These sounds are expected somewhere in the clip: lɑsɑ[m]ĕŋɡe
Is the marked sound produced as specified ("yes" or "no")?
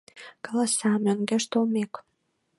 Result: yes